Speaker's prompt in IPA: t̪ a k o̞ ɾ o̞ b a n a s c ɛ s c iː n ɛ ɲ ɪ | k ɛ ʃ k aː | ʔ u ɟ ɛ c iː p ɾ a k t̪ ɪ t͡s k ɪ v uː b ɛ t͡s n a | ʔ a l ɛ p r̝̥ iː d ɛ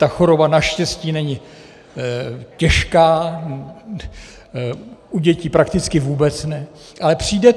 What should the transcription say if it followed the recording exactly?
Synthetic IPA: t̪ a x o̞ ɾ o̞ b a n a ʃ c ɛ s c iː n ɛ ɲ ɪ | c ɛ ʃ k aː | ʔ u ɟ ɛ c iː p ɾ a k t̪ ɪ t͡s k ɪ v uː b ɛ t͡s n ɛ | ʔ a l ɛ p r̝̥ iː d ɛ